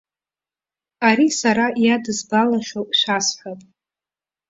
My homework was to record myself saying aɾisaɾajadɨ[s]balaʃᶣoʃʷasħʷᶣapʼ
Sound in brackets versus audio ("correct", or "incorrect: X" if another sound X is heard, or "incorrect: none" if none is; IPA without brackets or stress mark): incorrect: z